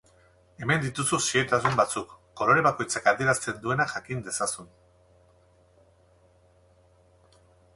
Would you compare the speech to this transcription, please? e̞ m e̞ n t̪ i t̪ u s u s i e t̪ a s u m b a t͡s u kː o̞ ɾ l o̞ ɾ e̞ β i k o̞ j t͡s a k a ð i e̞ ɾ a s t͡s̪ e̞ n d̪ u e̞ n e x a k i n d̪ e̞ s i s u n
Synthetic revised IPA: e̞ m e̞ n d̪ i t̪ u s u s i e t̪ a s u m b a t͡s u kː o̞ l o̞ ɾ e̞ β a k o̞ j t͡s a k a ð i e̞ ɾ a s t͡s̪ e̞ n d̪ u e̞ n a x a k i n d̪ e̞ s a s u n